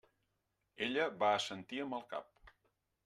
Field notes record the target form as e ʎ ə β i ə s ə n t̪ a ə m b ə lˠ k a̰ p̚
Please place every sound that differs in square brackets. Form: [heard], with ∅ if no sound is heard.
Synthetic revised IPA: e ʎ ə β [a] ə s ə n t̪ [i] ə m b ə lˠ k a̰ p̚